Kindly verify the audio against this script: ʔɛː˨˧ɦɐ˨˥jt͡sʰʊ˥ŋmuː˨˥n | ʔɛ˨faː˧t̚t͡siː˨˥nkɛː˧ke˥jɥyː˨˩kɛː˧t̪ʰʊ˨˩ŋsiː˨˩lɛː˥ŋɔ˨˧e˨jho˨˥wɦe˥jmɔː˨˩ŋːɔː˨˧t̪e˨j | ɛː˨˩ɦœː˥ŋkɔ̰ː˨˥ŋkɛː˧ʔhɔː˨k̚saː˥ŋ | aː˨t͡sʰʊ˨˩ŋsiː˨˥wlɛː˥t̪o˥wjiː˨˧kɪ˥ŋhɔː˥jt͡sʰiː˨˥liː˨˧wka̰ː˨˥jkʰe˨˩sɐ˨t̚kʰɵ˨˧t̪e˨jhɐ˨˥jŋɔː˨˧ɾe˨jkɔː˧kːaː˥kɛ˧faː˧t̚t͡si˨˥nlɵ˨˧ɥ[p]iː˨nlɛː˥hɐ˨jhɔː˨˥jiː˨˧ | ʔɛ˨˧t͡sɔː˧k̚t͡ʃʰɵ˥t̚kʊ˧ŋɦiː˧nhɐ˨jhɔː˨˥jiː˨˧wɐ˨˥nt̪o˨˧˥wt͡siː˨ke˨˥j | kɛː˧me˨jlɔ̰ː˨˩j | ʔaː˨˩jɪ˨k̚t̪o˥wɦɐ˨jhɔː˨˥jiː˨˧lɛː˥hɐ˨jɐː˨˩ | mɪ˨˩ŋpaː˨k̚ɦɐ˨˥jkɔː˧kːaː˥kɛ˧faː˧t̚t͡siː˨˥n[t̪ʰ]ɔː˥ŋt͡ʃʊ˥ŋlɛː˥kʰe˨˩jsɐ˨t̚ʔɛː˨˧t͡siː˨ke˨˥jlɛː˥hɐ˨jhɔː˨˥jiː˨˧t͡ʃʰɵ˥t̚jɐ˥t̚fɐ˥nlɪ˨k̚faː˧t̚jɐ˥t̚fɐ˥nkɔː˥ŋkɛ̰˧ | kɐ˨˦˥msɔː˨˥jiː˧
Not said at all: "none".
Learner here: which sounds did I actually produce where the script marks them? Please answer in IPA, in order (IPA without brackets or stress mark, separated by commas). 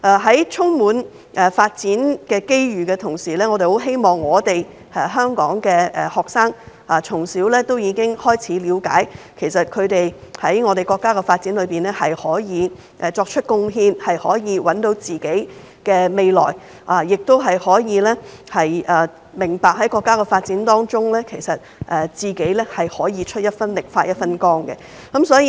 p, t̪